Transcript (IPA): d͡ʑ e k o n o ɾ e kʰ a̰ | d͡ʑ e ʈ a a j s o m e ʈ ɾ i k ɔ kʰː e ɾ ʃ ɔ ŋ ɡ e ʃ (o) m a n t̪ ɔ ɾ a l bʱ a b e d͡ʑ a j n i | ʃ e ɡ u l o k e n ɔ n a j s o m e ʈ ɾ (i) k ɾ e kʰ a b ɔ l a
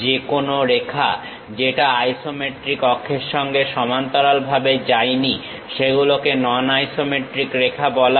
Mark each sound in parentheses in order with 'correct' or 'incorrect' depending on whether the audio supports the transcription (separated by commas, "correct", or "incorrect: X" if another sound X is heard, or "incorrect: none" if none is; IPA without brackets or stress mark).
incorrect: ɔ, correct